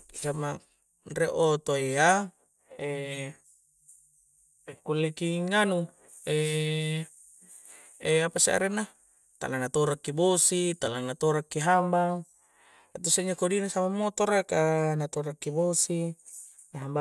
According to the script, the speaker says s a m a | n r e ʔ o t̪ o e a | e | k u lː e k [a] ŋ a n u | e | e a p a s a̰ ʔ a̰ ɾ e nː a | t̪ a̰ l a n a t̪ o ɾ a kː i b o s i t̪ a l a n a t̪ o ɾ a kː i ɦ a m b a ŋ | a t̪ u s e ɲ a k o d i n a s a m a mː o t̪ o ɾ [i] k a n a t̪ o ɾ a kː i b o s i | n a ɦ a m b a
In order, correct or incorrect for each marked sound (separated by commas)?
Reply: incorrect, incorrect